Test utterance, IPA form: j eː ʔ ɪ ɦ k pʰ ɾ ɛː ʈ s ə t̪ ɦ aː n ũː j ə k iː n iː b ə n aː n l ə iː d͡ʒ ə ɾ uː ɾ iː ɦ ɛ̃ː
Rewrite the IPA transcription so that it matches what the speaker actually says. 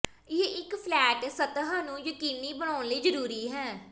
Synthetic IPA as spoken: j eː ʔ ɪ k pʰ l ɛː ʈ s ə t̪ ɦ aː n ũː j ə k iː n iː b ə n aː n l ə iː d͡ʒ ə ɾ uː ɾ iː ɦ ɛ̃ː